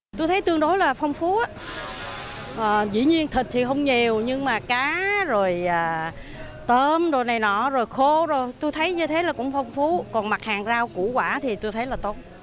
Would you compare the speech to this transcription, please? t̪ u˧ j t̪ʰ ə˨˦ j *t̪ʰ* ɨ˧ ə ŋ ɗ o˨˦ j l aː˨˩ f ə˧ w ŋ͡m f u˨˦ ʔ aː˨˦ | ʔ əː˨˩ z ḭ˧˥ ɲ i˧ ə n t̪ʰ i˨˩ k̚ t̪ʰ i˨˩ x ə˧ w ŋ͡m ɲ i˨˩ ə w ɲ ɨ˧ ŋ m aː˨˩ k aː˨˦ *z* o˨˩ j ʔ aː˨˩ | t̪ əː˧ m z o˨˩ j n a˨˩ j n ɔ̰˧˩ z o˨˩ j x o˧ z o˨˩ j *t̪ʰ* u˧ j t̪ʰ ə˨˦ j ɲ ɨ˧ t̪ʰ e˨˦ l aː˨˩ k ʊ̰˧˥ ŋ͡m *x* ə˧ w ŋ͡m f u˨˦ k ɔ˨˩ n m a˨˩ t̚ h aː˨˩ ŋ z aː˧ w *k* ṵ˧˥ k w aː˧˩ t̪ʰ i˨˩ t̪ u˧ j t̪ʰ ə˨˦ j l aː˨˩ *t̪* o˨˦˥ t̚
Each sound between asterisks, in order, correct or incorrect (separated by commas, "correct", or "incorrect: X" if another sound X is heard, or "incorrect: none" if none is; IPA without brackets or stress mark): incorrect: t̪, correct, incorrect: t̪, incorrect: f, correct, correct